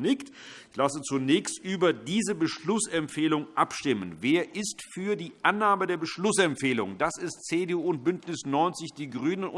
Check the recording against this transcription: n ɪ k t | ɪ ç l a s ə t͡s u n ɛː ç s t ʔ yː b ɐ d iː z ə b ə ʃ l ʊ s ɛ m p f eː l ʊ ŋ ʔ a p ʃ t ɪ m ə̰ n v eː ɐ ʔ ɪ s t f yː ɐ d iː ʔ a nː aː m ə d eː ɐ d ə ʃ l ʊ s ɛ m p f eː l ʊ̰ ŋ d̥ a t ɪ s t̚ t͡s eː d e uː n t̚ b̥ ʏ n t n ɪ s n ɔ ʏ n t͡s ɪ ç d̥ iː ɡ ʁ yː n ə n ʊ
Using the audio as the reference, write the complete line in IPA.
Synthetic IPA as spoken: n ɪ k t | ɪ ç l a s ə t͡s u n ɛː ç s t ʔ yː b ɐ d iː z ə b ə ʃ l ʊ s ɛ m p f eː l ʊ ŋ ʔ a p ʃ t ɪ m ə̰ n v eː ɐ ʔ ɪ s t f yː ɐ d iː ʔ a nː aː m ə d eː ɐ b ə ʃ l ʊ s ɛ m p f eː l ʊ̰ ŋ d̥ a s ɪ s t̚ t͡s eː d e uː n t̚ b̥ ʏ n t n ɪ s n ɔ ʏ n t͡s ɪ ç d̥ iː ɡ ʁ yː n ə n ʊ

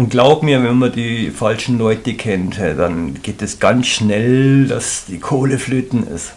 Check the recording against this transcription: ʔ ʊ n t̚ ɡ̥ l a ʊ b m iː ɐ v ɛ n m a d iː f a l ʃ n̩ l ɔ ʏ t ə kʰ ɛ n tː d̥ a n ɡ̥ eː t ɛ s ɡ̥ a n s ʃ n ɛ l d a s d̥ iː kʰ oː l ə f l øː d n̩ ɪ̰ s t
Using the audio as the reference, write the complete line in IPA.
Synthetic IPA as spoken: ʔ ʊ n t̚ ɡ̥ l a ʊ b m iː ɐ v ɛ n m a d iː f a l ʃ n̩ l ɔ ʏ t ə kʰ ɛ n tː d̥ a n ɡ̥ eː t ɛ s ɡ̥ a n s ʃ n ɛ l d a s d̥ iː kʰ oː l ə f l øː t n̩ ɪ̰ s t

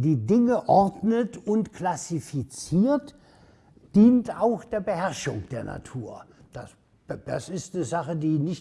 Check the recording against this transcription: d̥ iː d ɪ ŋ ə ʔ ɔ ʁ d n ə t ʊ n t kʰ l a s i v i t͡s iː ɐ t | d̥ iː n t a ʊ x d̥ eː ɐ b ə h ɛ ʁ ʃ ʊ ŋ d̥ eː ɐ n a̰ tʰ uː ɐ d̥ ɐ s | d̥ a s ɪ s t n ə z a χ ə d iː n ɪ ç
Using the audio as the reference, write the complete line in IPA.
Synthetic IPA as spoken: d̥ iː d ɪ ŋ ə ʔ ɔ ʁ d n ə t ʊ n t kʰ l a s i f i t͡s iː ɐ t | d̥ iː n t a ʊ x d̥ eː ɐ b ə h ɛ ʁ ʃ ʊ ŋ d̥ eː ɐ n a̰ tʰ uː ɐ d̥ a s | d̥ a s ɪ s t n ə z a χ ə d iː n ɪ ç

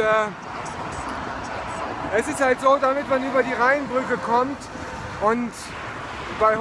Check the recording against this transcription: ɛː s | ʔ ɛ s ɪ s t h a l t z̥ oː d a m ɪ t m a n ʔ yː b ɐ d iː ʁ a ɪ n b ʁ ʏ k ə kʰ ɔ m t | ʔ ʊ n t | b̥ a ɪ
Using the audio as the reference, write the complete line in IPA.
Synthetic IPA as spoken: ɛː | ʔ ɛ s ɪ s t h a l t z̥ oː d a m ɪ t m a n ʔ yː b ɐ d iː ʁ a ɪ n b ʁ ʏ k ə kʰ ɔ m t | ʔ ʊ n t | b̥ a ɪ

